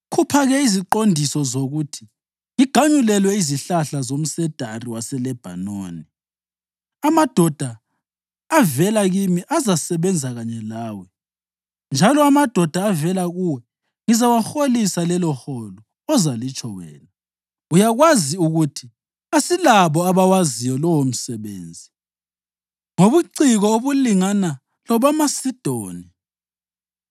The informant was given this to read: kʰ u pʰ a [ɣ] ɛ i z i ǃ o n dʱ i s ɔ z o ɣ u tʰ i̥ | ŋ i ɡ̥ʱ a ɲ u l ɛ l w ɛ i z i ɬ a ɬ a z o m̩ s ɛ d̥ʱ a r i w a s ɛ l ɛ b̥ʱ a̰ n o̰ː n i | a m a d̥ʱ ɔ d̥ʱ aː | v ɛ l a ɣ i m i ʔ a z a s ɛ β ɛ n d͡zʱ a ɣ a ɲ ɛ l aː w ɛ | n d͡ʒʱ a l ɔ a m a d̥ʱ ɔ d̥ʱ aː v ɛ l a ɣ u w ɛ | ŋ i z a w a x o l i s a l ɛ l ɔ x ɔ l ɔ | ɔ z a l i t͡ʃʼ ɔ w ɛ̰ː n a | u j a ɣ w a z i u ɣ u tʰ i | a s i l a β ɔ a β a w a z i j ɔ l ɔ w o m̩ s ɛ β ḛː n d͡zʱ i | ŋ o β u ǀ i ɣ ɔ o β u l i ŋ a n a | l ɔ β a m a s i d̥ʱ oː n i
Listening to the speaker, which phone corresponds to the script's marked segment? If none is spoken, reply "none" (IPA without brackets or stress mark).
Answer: ɣ